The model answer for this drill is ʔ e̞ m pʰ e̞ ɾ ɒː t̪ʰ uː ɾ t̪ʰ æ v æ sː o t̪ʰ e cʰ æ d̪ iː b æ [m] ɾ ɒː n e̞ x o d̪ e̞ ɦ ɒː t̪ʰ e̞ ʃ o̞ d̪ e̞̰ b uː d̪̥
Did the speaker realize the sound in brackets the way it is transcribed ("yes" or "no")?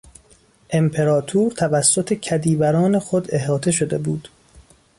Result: no